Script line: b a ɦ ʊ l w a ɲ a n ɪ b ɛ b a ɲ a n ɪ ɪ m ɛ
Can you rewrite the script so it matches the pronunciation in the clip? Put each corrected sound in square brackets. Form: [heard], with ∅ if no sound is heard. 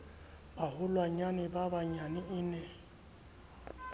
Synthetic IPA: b a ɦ ʊ l w a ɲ a n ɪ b [a] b a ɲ a n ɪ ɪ [n] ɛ